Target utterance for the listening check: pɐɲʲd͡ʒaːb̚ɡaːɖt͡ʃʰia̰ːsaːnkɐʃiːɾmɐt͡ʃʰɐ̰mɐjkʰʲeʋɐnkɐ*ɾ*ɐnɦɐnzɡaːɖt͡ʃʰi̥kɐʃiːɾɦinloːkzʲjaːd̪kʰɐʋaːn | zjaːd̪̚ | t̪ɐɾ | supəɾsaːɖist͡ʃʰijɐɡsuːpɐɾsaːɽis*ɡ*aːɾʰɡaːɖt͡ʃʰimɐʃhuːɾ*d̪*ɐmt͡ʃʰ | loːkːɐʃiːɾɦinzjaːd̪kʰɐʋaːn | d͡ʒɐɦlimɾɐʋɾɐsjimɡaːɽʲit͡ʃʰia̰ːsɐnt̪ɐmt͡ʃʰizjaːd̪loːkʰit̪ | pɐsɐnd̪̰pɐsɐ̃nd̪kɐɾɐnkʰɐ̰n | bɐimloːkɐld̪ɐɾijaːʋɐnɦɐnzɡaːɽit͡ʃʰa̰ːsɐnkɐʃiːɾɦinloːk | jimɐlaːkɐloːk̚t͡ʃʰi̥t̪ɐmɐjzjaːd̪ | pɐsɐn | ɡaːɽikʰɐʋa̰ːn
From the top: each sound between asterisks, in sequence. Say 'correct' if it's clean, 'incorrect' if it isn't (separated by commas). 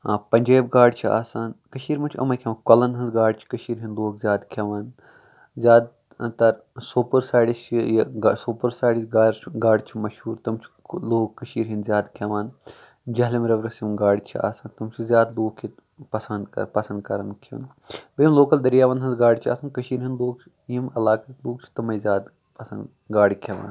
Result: incorrect, correct, incorrect